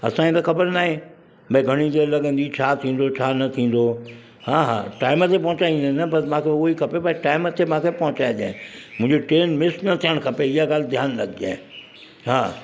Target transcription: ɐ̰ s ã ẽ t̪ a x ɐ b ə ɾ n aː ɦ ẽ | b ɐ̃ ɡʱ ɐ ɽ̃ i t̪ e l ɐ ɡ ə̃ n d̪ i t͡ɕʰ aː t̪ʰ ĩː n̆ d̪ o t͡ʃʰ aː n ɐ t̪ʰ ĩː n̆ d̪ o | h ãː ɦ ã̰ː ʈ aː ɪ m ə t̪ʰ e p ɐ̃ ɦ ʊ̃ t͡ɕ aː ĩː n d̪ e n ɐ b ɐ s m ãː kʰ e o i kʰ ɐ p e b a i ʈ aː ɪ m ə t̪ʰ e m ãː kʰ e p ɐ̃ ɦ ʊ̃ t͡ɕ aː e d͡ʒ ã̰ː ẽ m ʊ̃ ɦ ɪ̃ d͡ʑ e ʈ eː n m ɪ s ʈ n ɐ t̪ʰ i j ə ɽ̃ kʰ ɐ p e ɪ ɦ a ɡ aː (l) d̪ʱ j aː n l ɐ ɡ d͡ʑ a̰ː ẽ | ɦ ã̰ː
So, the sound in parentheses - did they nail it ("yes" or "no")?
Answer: yes